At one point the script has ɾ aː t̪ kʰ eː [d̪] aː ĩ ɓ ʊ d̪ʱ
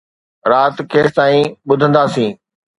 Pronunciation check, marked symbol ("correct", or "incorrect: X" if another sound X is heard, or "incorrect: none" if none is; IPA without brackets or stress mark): incorrect: t̪